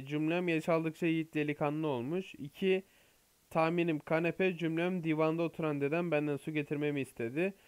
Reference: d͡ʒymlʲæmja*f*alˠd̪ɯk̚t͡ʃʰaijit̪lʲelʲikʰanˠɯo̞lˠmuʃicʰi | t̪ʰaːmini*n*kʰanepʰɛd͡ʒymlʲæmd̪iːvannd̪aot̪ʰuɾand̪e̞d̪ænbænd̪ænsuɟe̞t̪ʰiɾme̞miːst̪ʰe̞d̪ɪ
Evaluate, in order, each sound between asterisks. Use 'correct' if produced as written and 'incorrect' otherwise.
incorrect, incorrect

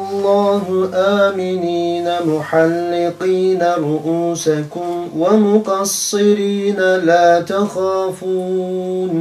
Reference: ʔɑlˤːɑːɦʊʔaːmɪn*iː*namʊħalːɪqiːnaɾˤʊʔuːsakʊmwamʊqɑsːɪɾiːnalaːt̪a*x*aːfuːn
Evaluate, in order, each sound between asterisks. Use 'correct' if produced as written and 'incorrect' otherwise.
correct, correct

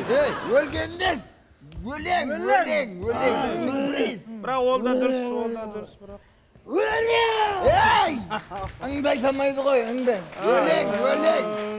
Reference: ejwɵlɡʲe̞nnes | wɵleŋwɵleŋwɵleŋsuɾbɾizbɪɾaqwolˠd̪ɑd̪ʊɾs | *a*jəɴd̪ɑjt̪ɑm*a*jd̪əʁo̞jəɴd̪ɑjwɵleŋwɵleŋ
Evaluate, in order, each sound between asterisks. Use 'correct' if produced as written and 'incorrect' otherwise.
incorrect, incorrect

